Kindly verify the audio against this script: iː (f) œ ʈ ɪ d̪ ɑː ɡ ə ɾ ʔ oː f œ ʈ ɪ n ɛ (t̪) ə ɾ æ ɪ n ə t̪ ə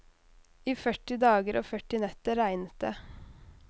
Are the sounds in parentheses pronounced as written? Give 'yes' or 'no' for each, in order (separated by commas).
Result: yes, yes